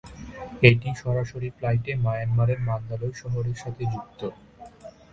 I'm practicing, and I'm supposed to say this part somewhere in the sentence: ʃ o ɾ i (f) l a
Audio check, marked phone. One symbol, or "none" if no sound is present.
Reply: f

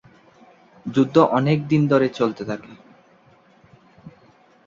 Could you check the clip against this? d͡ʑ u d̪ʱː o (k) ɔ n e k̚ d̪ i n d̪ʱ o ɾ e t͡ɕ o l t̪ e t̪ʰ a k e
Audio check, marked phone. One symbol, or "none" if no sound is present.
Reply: ʔ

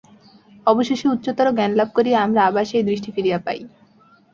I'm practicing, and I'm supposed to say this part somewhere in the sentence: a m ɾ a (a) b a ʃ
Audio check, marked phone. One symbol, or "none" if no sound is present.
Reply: a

